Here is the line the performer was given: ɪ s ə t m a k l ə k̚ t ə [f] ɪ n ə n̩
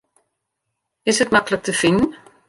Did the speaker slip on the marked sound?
no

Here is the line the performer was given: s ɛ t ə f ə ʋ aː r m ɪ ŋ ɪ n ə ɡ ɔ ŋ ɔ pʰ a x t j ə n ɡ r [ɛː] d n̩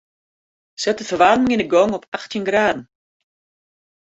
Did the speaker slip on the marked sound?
yes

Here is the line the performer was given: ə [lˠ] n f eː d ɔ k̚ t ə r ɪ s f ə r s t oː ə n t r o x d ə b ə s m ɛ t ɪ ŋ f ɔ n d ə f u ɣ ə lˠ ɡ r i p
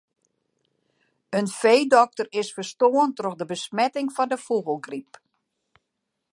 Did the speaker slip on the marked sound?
yes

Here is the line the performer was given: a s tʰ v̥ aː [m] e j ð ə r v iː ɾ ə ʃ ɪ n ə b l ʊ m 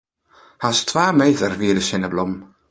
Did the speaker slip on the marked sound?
no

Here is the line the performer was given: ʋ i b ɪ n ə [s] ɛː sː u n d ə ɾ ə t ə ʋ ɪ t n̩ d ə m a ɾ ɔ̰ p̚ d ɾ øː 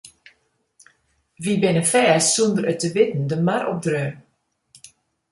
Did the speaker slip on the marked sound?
yes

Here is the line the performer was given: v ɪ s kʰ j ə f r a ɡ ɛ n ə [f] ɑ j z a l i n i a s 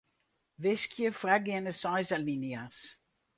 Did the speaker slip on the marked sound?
yes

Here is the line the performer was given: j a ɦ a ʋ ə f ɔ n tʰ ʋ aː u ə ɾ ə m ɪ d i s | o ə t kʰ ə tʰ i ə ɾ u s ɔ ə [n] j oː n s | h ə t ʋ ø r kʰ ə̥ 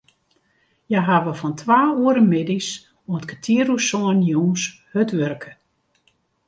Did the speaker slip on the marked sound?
no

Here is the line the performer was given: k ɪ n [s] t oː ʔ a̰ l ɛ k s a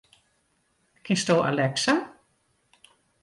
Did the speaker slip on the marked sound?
no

